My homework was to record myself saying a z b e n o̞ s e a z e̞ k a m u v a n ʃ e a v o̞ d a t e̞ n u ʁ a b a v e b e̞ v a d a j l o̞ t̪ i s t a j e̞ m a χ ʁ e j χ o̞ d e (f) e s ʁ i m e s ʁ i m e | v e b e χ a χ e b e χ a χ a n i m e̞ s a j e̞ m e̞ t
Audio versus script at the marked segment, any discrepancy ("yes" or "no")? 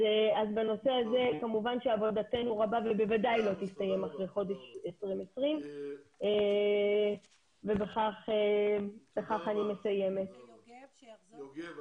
yes